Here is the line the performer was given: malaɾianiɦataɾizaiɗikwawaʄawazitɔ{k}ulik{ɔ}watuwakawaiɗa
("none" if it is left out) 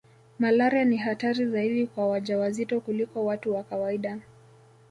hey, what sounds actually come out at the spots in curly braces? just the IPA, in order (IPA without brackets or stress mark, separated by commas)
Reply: k, ɔ